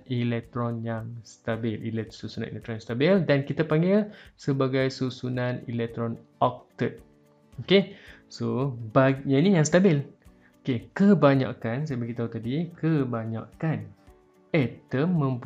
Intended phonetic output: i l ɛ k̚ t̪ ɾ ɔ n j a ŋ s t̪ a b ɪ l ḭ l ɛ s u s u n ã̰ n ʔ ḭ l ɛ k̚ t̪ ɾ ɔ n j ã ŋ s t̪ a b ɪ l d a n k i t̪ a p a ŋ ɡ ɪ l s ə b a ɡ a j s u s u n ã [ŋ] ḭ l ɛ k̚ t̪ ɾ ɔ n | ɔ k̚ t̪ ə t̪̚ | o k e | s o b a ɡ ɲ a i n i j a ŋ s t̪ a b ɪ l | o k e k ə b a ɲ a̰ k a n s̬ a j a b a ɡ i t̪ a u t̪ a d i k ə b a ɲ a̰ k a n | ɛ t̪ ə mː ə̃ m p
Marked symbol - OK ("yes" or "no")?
no